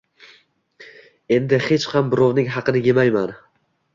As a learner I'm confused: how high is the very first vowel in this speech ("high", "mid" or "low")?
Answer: mid